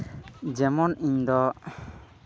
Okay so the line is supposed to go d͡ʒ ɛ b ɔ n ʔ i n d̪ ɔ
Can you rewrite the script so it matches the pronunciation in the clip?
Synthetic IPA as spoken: d͡ʒ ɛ m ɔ n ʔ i ɲ d̪ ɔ